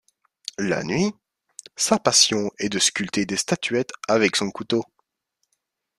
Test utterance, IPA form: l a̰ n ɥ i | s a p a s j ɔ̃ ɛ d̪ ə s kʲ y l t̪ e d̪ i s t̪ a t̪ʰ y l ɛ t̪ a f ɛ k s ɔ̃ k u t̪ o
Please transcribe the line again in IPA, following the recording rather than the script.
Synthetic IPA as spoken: l a̰ n ɥ i | s a p a s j ɔ̃ ɛ d̪ ə s kʲ y l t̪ e d̪ e s t̪ a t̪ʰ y ɛ t̪ a v ɛ k s ɔ̃ k u t̪ o

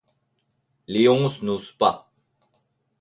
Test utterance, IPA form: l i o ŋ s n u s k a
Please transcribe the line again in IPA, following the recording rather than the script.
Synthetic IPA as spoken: l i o ŋ s n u s p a

